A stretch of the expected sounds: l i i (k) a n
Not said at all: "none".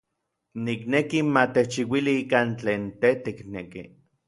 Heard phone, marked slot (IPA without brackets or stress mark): k